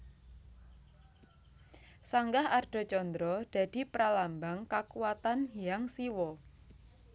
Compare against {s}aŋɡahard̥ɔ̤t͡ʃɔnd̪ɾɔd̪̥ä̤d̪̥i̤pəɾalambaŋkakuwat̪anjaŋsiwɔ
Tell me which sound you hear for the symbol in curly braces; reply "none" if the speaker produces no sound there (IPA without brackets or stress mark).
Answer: s